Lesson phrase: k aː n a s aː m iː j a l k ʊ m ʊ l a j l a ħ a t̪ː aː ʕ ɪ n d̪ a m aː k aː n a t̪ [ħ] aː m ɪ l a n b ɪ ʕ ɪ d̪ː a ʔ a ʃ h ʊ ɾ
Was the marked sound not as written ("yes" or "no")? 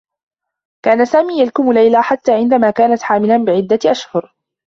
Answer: no